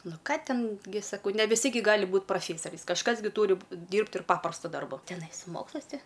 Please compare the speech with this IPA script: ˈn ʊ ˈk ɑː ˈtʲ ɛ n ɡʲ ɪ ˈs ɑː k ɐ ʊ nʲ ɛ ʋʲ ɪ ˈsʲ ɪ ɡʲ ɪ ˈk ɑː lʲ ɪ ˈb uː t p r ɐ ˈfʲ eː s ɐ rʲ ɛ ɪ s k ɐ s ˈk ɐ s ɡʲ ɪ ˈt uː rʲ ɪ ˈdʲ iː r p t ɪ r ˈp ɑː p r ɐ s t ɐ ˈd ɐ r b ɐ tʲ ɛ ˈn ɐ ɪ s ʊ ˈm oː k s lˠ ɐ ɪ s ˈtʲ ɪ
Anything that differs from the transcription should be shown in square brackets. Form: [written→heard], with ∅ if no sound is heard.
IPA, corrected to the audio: ˈn ʊ ˈk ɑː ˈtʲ ɛ n ɡʲ ɪ ˈs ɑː k ɐ ʊ nʲ ɛ ʋʲ ɪ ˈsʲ ɪ ɡʲ ɪ [ˈk→ˈɡ] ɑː lʲ ɪ ˈb uː t p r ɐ ˈfʲ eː s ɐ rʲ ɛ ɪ s k ɐ [s→ʃ] ˈk ɐ s ɡʲ ɪ ˈt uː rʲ ɪ ˈdʲ iː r p t ɪ r ˈp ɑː p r ɐ s t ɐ ˈd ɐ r b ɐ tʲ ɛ ˈn ɐ ɪ s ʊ ˈm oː k s lˠ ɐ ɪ s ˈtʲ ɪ